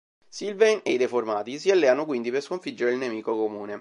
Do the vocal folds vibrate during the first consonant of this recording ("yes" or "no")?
no